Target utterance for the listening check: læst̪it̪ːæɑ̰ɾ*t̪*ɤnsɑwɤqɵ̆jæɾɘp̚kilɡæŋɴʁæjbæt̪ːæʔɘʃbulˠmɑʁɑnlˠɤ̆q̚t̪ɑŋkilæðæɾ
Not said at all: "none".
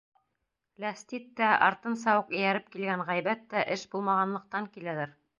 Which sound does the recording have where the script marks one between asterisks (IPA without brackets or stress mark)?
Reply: t̪